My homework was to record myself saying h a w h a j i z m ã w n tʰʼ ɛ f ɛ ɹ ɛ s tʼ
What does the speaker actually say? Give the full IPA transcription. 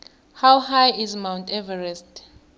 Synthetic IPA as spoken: h a w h a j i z m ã w n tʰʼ ɛ v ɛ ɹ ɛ s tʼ